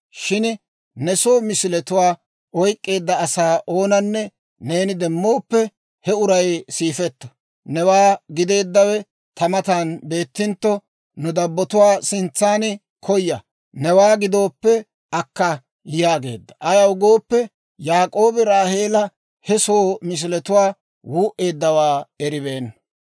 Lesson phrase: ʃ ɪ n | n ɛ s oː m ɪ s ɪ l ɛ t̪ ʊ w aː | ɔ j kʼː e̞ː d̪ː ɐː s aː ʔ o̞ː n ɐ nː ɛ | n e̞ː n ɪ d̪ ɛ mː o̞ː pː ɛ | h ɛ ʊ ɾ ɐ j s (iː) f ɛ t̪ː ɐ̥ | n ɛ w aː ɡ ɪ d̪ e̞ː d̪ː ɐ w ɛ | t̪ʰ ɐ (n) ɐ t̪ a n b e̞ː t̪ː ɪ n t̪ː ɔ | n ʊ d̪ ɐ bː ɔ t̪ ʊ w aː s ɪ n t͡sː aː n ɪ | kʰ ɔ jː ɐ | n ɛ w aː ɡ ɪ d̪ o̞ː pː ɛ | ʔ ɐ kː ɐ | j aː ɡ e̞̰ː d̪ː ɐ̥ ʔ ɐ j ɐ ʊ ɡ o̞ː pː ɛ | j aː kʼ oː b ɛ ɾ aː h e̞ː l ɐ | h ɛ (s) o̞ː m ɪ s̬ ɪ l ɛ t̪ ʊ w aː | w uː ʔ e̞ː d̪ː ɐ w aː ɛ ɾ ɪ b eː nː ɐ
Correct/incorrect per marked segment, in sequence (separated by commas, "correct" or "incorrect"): correct, incorrect, correct